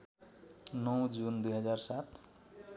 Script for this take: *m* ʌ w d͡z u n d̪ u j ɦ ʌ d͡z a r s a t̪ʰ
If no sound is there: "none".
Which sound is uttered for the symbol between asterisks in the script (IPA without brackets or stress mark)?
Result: n